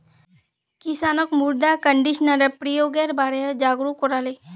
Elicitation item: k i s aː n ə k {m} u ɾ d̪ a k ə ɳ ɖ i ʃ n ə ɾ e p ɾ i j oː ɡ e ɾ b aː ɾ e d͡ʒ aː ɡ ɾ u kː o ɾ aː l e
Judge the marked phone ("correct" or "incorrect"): correct